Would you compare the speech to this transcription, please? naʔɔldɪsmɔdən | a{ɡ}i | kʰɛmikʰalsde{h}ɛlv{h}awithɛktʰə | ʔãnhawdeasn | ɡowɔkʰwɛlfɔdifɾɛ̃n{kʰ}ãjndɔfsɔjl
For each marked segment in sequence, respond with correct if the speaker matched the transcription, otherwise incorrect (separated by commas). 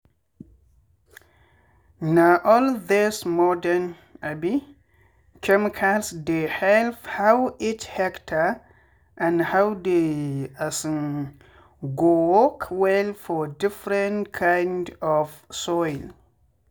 incorrect, correct, correct, correct